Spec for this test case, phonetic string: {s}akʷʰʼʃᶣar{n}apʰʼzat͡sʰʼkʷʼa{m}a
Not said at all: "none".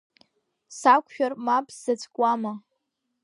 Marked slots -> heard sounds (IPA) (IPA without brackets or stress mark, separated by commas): s, m, m